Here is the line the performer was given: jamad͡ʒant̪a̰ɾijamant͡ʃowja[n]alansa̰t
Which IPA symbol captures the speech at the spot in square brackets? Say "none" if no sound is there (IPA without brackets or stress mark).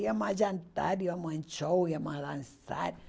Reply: m